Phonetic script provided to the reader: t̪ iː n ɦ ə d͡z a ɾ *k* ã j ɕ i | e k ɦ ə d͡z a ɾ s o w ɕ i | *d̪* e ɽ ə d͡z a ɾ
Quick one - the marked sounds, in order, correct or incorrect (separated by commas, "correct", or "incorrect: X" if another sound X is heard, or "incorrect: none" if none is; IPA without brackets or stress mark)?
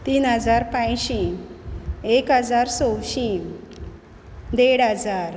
incorrect: p, correct